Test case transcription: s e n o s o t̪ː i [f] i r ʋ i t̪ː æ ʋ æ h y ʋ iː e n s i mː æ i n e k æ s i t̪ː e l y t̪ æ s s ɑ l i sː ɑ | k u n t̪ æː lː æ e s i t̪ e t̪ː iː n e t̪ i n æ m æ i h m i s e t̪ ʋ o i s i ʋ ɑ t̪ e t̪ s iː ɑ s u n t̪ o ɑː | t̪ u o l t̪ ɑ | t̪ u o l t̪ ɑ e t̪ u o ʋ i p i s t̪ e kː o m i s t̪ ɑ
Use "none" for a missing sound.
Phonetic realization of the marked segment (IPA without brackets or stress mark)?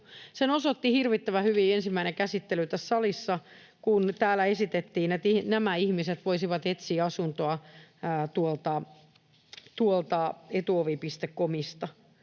h